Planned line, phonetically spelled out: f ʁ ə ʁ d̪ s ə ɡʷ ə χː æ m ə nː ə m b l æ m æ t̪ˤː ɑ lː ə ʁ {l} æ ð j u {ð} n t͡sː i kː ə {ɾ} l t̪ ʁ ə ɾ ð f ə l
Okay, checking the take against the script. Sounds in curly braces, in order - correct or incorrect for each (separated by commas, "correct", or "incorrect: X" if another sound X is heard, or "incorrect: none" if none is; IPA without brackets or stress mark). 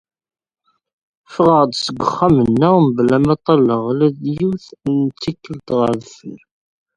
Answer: correct, incorrect: θ, incorrect: none